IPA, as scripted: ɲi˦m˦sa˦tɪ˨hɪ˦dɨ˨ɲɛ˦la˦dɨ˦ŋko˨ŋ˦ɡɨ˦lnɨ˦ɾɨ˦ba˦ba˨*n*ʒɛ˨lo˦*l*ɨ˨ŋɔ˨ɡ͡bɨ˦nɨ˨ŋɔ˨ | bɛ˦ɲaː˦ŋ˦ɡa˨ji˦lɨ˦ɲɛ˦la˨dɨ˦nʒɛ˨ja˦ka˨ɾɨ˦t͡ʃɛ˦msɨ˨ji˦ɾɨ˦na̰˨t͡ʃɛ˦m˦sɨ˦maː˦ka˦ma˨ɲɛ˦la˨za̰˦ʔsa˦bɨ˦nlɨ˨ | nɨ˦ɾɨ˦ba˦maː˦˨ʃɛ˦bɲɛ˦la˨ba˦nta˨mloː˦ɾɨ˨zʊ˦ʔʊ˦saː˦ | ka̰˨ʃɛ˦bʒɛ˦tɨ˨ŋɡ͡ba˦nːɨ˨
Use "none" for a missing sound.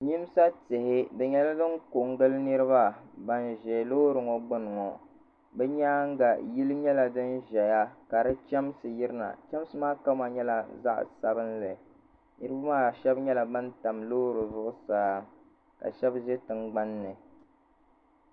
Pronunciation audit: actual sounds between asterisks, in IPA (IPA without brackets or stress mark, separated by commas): n, ɾ